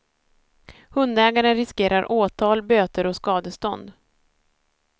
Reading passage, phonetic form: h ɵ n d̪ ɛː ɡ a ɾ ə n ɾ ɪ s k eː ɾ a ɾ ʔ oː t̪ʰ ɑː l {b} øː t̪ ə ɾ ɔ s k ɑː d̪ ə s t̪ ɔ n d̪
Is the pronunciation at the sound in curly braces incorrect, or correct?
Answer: correct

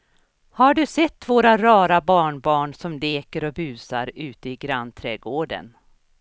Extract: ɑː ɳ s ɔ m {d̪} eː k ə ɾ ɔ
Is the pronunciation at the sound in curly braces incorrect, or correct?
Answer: correct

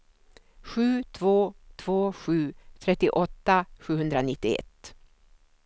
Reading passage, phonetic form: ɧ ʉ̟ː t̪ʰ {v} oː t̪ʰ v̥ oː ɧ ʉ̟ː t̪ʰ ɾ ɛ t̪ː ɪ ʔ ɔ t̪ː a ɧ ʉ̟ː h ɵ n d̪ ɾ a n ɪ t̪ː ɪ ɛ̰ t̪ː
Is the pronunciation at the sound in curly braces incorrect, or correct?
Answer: correct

